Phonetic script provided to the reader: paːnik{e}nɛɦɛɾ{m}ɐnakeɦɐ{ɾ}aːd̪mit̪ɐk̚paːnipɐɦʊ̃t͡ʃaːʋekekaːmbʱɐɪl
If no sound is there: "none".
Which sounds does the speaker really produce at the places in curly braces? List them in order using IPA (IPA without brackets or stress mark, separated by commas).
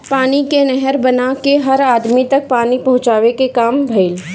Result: e, b, ɾ